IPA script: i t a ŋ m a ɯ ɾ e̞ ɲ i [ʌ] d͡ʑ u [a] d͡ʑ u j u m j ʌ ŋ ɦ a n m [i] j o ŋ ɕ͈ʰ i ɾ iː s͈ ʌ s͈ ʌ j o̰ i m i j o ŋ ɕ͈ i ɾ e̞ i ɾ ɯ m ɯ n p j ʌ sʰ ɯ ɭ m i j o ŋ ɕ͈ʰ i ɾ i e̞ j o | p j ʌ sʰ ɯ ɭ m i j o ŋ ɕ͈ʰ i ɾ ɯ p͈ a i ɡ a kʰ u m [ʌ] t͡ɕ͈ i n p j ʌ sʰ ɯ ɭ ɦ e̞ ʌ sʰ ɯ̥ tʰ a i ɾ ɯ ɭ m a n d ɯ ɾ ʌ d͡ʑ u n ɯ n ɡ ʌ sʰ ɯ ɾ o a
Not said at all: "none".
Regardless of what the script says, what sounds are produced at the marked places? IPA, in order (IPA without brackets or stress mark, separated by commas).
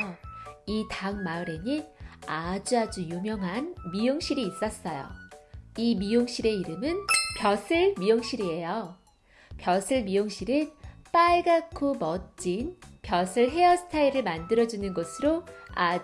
a, a, i, ʌ